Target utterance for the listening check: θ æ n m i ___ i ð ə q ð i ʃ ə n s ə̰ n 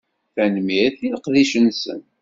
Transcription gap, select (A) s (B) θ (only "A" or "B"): B